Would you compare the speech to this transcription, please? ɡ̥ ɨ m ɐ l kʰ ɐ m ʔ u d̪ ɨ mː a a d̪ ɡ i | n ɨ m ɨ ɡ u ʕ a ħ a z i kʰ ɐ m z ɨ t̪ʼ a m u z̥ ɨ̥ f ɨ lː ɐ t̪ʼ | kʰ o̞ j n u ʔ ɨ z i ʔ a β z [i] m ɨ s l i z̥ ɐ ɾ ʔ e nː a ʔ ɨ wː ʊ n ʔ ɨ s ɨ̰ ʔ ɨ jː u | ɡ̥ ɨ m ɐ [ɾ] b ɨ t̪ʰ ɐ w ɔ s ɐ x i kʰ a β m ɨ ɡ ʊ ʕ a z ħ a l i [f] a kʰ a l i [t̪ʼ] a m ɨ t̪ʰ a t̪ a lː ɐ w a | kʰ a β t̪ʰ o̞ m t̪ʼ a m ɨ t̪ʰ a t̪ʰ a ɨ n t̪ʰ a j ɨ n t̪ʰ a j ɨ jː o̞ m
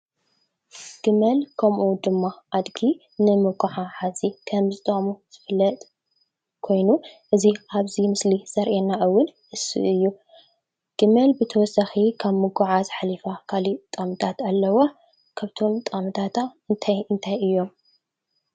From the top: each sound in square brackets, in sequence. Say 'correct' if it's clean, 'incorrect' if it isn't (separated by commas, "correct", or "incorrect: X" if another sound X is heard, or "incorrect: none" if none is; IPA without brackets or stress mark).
correct, incorrect: l, correct, correct